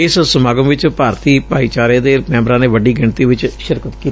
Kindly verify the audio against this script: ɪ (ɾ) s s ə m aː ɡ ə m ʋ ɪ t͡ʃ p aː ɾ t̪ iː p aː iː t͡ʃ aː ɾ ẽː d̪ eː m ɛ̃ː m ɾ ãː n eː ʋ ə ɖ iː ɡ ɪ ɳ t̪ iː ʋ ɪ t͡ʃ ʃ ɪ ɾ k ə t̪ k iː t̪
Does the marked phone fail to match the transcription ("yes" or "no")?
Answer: yes